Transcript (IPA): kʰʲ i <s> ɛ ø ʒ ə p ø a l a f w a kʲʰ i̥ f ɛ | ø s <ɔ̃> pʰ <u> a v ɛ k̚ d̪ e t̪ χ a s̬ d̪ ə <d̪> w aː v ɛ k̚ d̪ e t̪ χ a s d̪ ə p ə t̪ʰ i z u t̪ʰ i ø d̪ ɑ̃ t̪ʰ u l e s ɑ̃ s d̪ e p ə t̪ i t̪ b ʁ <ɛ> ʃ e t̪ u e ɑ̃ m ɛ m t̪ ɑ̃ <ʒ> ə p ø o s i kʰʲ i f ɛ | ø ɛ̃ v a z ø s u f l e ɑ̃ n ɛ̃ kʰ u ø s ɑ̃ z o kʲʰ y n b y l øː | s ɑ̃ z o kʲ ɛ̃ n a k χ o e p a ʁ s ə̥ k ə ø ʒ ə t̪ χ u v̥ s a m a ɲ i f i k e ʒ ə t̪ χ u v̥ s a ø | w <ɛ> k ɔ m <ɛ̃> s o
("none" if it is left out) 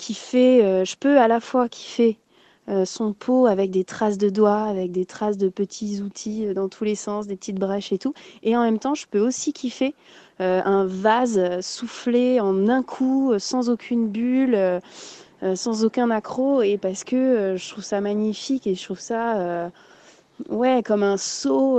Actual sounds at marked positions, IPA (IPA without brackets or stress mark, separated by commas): f, ɔ̃, o, d̪, ɛ, ʒ, ɛ, ɛ̃